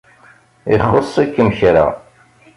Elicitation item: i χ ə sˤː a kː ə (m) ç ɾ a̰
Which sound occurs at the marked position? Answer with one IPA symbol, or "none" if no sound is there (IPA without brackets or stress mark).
m